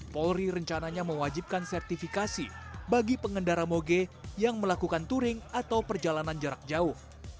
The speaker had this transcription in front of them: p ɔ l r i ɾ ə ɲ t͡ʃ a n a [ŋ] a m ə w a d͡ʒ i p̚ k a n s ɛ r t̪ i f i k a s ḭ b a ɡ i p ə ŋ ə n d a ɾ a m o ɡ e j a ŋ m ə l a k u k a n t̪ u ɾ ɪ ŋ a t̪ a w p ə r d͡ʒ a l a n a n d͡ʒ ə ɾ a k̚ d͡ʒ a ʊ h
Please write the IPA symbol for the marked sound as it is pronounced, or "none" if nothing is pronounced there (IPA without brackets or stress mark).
ɲ